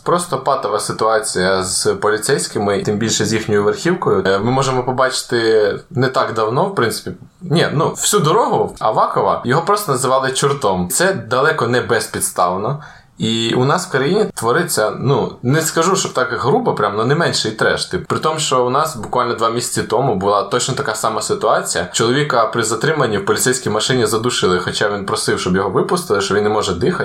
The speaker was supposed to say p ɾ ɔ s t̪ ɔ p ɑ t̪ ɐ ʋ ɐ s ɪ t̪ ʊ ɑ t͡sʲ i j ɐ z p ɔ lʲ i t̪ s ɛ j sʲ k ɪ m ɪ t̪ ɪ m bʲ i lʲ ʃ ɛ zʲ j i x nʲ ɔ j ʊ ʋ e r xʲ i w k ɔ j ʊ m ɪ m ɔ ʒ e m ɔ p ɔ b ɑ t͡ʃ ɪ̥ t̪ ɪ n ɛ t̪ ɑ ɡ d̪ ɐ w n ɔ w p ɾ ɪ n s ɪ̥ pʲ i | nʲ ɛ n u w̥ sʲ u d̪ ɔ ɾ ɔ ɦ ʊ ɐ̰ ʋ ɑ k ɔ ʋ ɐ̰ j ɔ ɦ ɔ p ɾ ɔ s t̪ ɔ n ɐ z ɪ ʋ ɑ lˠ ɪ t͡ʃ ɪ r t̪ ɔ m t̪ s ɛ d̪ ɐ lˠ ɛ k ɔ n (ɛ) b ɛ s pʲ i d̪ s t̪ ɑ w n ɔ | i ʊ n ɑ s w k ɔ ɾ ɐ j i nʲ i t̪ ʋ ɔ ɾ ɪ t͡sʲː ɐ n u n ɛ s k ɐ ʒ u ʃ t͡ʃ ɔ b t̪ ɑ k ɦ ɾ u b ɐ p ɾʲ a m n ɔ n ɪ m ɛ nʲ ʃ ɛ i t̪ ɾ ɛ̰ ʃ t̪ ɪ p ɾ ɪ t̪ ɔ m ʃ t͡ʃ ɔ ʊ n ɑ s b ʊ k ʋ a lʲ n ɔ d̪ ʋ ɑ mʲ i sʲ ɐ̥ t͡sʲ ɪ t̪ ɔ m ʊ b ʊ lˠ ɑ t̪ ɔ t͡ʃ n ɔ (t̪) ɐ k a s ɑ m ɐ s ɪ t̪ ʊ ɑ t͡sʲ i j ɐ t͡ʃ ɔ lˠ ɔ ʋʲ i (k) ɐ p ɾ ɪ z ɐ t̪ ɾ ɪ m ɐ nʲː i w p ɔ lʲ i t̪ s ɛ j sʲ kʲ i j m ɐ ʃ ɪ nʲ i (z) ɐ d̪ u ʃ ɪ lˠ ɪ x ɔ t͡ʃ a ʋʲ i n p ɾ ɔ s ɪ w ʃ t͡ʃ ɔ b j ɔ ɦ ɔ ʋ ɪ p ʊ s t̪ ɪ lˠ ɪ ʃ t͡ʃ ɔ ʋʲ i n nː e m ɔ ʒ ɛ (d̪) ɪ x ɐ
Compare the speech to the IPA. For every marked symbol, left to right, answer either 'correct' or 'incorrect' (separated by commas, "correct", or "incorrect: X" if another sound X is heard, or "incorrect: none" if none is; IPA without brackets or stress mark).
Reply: correct, correct, correct, correct, correct